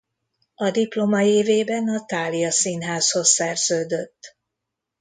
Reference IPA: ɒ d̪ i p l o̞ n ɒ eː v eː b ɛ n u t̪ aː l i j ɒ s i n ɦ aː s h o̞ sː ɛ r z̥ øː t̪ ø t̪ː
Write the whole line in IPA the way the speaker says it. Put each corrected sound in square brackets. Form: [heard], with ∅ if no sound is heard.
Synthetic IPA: ɒ d̪ i p l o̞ [m] ɒ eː v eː b ɛ n [ɒ] t̪ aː l i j ɒ s i n ɦ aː s h o̞ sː ɛ r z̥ øː [d̪] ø t̪ː